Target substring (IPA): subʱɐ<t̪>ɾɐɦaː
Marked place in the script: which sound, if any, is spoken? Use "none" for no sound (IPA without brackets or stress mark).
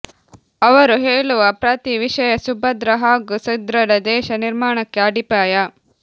d̪